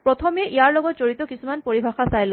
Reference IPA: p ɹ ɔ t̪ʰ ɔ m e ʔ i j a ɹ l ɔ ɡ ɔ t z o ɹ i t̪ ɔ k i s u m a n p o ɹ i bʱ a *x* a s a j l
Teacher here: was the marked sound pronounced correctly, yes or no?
yes